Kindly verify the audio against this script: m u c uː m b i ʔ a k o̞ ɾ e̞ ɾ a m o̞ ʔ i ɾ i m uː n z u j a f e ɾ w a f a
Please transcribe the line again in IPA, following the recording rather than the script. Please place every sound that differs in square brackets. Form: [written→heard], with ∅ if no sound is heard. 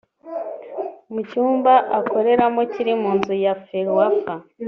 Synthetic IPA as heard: m u c uː m b [i→a] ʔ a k o̞ ɾ e̞ ɾ a m o̞ [ʔ→c] i ɾ i m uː n z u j a f e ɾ w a f a